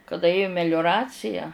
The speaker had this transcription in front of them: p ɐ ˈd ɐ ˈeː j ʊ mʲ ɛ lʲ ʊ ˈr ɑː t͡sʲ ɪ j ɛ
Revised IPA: k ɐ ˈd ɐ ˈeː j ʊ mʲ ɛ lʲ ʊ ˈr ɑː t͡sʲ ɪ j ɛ